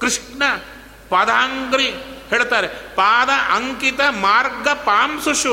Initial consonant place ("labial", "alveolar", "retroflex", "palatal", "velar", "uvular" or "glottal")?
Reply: velar